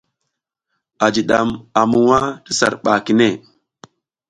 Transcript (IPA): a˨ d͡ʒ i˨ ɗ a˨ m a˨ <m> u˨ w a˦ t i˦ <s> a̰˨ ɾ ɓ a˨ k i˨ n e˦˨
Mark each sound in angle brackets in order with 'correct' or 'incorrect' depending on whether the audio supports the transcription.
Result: correct, correct

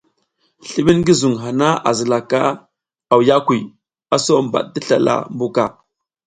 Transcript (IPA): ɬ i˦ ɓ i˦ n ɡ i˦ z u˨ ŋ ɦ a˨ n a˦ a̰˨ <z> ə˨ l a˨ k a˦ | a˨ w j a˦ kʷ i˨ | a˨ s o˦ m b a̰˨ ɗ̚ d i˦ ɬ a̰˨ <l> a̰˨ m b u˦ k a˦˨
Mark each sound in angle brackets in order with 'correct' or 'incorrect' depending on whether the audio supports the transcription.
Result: correct, correct

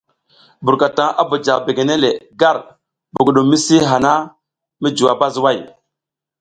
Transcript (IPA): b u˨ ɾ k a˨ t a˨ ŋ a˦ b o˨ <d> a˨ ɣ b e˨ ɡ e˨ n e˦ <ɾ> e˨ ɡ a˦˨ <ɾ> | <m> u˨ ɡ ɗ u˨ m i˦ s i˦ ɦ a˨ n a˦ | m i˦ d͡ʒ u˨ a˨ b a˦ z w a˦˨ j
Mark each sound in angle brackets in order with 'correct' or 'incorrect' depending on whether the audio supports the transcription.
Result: incorrect: d͡ʒ, incorrect: l, correct, incorrect: b

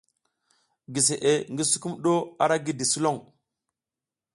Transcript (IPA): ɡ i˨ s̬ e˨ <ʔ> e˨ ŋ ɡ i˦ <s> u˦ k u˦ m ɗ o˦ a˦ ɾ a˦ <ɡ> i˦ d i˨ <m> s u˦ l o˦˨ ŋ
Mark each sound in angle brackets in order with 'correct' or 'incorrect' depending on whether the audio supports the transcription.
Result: correct, correct, correct, incorrect: none

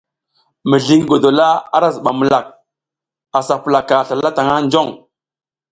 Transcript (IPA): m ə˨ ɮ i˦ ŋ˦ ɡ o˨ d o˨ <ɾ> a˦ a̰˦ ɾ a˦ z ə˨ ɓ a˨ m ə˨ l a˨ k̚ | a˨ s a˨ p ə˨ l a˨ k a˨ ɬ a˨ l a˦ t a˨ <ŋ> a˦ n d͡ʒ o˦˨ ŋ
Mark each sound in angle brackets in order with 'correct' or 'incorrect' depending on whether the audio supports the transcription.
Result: incorrect: l, correct

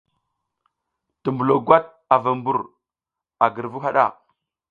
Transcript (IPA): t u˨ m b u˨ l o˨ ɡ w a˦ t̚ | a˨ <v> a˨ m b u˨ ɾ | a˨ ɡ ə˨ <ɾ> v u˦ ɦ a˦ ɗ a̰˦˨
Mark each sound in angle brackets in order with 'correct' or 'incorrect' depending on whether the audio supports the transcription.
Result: correct, correct

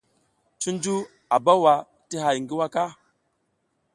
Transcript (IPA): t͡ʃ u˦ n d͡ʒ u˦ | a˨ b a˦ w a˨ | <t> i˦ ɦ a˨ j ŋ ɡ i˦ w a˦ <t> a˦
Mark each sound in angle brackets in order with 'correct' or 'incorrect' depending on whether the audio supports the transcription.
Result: correct, incorrect: k

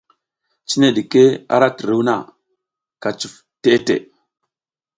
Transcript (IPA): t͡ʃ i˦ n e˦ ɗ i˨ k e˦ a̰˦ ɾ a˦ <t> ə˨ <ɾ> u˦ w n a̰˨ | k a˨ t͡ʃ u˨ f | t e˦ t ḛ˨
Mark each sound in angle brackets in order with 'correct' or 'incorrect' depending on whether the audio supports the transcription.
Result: correct, correct

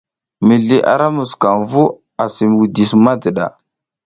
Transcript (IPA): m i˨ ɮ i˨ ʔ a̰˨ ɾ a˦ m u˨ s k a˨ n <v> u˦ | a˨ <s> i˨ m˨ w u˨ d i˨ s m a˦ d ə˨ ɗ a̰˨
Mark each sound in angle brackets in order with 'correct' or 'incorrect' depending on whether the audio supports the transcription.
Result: correct, correct

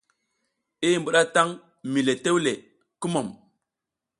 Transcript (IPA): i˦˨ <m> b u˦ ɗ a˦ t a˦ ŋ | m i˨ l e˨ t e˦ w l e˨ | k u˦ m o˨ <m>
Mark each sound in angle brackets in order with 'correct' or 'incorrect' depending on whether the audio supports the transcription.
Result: correct, correct

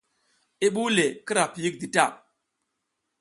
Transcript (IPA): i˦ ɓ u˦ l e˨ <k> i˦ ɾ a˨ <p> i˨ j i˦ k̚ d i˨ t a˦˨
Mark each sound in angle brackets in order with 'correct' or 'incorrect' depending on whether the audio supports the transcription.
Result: correct, correct

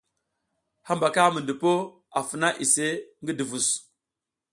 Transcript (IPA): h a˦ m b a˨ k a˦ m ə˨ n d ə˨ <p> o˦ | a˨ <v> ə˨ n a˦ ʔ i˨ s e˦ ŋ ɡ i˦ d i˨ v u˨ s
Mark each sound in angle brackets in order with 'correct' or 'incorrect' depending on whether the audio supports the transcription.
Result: correct, incorrect: f

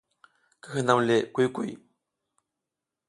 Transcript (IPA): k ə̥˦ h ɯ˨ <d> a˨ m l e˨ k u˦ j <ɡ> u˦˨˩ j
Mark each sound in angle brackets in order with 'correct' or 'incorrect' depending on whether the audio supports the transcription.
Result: incorrect: n, incorrect: k

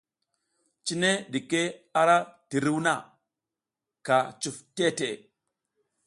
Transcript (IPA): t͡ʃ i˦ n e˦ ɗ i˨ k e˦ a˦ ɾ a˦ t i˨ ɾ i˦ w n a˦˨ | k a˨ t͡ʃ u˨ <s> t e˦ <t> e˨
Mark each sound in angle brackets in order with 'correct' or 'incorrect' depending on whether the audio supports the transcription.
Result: incorrect: f, correct

